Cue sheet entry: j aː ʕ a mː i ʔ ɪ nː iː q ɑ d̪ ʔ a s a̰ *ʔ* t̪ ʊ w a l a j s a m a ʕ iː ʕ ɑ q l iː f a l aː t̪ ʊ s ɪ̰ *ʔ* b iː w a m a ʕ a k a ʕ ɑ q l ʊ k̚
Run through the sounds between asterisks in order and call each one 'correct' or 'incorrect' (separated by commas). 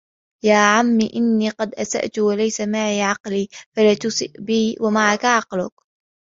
correct, correct